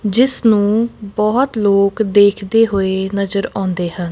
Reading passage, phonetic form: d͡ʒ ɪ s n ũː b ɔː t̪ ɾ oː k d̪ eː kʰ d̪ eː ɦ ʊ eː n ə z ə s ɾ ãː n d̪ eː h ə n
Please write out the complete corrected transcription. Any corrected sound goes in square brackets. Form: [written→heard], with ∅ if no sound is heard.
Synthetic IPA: d͡ʒ ɪ s n ũː b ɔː t̪ [ɾ→l] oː k d̪ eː kʰ d̪ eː ɦ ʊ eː n ə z ə [s→∅] ɾ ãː n d̪ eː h ə n